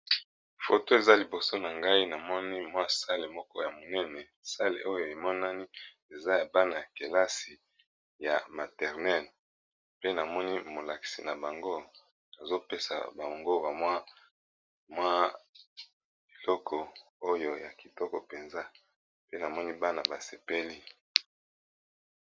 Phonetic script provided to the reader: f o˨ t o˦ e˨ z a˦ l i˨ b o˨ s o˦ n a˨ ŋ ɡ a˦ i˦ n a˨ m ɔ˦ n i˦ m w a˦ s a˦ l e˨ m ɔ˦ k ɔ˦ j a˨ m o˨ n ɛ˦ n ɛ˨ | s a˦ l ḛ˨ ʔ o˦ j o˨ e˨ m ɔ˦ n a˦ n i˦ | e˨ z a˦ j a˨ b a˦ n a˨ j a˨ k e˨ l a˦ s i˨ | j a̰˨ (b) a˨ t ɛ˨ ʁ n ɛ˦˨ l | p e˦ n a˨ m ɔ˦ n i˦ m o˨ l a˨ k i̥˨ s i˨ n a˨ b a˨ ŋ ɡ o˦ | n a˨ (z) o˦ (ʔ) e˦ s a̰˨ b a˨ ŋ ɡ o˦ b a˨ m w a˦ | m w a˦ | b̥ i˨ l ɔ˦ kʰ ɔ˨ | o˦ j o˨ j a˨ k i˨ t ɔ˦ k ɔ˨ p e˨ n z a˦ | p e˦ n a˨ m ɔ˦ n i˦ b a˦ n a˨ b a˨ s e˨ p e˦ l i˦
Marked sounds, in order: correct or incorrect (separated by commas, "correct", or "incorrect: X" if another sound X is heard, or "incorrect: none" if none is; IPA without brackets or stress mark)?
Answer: incorrect: m, correct, incorrect: p